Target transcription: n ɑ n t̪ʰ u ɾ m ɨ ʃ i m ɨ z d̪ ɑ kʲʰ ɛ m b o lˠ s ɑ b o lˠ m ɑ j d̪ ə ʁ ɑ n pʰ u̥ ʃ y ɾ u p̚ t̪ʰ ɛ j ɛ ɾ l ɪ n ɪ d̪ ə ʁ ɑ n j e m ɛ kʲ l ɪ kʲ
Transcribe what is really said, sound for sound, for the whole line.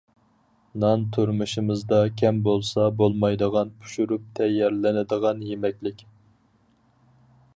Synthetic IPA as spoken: n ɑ n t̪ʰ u ɾ m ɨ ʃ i m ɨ z d̪ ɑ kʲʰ ɛ m b o lˠ s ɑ b o lˠ m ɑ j d̪ ə ʁ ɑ n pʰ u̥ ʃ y ɾ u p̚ t̪ʰ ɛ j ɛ ɾ l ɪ n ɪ d̪ ə ʁ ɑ n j e m ɛ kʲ l ɪ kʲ

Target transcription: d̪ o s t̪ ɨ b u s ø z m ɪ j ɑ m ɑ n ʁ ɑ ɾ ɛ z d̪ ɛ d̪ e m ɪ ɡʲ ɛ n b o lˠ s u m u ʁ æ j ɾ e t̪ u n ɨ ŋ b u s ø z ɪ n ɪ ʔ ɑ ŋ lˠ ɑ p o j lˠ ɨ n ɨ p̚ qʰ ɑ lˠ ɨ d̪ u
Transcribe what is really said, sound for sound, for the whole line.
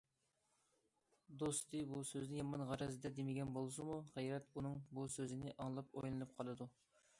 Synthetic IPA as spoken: d̪ o s t̪ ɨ b u s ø z n ɪ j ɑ m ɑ n ʁ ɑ ɾ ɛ z d̪ ɛ d̪ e m ɪ ɡʲ ɛ n b o lˠ s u m u ʁ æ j ɾ ɛ t̪ u n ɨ ŋ b u s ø z ɪ n ɪ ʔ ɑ ŋ lˠ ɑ p o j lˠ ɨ n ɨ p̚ qʰ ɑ lˠ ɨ d̪ u

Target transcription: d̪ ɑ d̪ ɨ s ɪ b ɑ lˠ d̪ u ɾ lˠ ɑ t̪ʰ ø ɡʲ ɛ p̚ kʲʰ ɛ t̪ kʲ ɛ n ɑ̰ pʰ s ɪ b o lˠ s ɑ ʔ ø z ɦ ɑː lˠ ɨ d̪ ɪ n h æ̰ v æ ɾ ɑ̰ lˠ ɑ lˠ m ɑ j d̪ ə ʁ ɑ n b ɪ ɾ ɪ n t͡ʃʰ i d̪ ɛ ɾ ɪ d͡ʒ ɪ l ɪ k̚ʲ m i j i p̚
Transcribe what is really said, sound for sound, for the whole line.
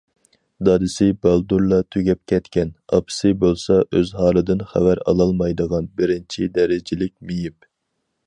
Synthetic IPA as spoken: d̪ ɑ d̪ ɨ s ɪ b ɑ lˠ d̪ u ɾ lˠ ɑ t̪ʰ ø ɡʲ ɛ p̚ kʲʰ ɛ t̪ kʲ ɛ n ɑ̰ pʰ s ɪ b o lˠ s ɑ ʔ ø z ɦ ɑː lˠ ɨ d̪ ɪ n χ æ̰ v æ ɾ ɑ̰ lˠ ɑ lˠ m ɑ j d̪ ə ʁ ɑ n b ɪ ɾ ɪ n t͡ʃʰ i d̪ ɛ ɾ ɪ d͡ʒ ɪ l ɪ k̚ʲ m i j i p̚

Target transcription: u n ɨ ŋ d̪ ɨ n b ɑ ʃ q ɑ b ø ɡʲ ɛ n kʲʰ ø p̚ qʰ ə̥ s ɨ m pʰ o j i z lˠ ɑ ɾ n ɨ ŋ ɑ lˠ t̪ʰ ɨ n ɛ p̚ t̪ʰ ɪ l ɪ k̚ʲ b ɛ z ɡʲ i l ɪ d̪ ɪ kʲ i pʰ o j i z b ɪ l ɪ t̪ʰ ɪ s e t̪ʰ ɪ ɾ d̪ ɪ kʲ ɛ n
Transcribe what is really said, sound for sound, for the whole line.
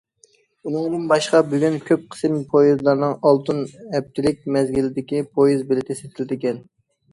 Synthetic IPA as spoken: u n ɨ ŋ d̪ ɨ n b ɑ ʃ q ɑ b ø ɡʲ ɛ n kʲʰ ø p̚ qʰ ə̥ s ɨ m pʰ o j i z lˠ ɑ ɾ n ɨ ŋ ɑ lˠ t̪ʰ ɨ n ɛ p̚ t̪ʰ ɪ l ɪ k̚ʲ m ɛ z ɡʲ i l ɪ d̪ ɪ kʲ i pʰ o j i z b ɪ l ɪ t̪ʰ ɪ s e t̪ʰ ɪ l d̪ ɪ kʲ ɛ n

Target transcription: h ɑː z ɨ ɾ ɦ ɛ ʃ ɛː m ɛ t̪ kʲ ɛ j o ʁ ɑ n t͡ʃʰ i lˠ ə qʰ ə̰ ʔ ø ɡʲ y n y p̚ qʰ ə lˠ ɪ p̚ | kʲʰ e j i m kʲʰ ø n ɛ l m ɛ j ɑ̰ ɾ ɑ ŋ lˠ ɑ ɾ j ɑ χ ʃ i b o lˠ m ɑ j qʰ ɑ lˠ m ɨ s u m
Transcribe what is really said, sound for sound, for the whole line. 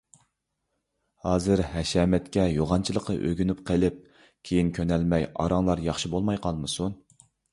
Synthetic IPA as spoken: h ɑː z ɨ ɾ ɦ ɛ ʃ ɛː m ɛ t̪ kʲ ɛ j o ʁ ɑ n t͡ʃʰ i lˠ ə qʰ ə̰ ʔ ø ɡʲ y n y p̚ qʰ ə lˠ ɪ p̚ | kʲʰ e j i n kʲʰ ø n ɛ l m ɛ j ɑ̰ ɾ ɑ ŋ lˠ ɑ ɾ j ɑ χ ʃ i b o lˠ m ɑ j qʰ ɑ lˠ m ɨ s u n

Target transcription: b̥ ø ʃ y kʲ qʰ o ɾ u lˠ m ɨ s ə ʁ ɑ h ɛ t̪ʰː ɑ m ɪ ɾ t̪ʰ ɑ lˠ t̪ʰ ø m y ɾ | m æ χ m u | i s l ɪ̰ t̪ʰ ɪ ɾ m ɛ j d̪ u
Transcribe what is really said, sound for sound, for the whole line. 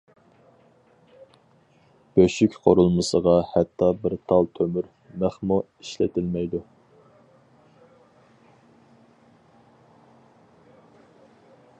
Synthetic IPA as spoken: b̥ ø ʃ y kʲ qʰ o ɾ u lˠ m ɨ s ə ʁ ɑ h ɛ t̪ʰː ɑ b ɪ ɾ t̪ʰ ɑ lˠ t̪ʰ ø m y ɾ | m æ χ m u | i ʃ l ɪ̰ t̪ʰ ɪ l m ɛ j d̪ u

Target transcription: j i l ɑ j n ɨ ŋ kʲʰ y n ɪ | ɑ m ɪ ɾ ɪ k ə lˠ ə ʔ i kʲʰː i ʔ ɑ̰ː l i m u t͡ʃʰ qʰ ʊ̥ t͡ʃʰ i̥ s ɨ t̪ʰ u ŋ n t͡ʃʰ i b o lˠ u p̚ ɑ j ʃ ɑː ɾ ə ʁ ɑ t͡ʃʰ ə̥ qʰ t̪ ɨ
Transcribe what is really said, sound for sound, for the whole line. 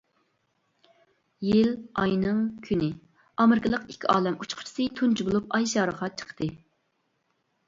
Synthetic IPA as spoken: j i l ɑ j n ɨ ŋ kʲʰ y n ɪ | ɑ m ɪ ɾ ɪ k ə lˠ ə q i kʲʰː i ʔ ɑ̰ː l ɛ m u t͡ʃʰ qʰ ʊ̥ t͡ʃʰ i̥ s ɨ t̪ʰ u n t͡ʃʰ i b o lˠ u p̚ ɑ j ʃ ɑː ɾ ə ʁ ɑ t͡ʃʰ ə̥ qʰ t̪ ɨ

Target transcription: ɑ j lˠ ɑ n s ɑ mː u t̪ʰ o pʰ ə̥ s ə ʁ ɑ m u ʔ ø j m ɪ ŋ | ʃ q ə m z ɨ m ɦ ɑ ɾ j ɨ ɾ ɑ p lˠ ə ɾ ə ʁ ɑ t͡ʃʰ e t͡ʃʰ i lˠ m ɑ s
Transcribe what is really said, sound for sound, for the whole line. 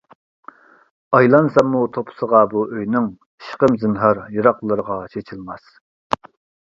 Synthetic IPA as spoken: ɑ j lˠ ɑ n s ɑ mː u t̪ʰ o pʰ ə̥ s ə ʁ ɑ b u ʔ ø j n ɪ ŋ | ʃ q ə m z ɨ n ɦ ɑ ɾ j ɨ ɾ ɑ q lˠ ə ɾ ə ʁ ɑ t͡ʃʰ e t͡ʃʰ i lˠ m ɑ s

